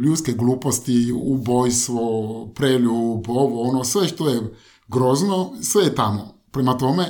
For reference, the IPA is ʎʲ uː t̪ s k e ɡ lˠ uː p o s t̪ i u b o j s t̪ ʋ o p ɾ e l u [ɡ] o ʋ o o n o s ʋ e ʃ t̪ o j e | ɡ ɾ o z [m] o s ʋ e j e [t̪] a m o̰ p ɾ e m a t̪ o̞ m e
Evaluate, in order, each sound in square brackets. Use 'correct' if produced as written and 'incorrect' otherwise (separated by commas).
incorrect, incorrect, correct